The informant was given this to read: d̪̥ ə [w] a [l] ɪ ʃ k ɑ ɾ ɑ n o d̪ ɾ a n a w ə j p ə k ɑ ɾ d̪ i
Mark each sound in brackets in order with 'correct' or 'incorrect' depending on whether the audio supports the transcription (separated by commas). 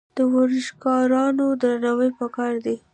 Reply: correct, incorrect